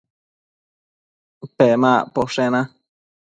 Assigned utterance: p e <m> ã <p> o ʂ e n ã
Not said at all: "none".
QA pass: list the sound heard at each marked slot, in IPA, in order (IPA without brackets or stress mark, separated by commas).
m, p